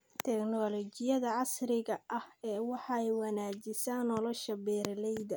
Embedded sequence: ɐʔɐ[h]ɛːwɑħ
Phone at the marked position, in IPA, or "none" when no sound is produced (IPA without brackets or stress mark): h